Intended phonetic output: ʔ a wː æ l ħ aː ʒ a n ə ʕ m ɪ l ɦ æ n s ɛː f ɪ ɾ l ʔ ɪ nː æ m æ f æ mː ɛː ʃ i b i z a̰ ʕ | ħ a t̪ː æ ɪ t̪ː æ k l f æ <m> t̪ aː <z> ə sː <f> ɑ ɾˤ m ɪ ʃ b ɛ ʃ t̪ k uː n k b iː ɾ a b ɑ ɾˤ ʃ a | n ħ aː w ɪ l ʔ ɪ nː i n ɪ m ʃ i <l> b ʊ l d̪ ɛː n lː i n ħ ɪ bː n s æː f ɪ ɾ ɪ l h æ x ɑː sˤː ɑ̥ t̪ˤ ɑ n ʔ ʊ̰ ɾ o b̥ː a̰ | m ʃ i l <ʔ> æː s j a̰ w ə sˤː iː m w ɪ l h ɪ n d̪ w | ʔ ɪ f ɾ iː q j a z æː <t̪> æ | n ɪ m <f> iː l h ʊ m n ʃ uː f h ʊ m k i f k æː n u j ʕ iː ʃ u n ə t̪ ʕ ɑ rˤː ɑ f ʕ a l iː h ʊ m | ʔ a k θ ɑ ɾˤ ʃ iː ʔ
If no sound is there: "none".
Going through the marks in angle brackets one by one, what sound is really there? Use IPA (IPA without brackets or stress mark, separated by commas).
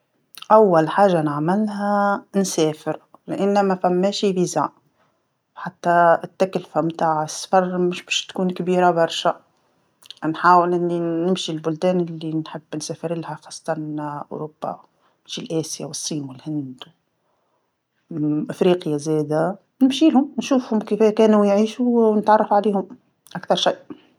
m, ʕ, f, l, ʔ, d̪, ʃ